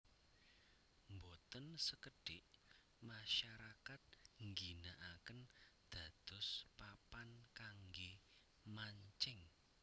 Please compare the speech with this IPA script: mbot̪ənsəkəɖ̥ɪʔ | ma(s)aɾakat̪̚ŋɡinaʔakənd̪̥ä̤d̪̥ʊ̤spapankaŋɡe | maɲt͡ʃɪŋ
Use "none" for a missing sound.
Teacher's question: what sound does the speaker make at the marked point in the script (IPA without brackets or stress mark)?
ʃ